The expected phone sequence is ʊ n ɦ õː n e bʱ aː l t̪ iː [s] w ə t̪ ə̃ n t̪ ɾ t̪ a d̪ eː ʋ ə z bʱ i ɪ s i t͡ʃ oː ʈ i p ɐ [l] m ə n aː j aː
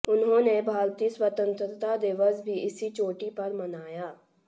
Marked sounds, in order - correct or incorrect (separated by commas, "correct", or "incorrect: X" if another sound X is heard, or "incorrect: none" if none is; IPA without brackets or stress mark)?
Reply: correct, incorrect: ɾ